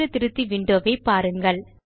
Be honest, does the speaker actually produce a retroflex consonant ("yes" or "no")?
yes